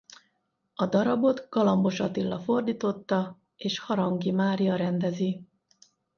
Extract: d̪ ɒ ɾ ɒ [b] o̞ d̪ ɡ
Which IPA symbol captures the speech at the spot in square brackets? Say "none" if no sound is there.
b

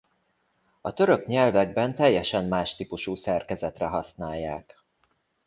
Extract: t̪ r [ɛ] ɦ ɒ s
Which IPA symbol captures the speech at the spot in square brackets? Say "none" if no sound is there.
ɛ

